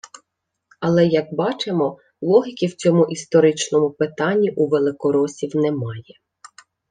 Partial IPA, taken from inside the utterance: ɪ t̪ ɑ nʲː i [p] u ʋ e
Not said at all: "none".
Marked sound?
ʔ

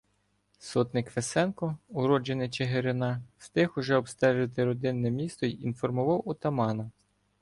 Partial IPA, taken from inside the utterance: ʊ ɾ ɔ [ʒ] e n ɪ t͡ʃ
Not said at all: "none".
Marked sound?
d͡ʒ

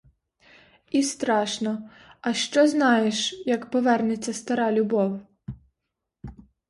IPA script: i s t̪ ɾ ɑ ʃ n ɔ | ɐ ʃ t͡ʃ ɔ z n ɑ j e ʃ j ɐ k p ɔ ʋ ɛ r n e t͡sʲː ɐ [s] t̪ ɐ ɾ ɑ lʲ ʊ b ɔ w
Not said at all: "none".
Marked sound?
s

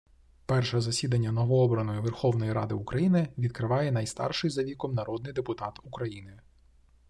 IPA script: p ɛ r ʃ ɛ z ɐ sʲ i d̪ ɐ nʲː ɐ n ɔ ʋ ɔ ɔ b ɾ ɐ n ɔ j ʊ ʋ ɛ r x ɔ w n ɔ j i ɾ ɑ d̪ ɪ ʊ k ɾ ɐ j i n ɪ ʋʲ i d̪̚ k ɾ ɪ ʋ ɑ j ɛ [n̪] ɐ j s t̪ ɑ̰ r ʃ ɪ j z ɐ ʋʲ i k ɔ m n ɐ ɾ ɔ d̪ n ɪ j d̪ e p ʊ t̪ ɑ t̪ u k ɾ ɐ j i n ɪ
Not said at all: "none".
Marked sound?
n̪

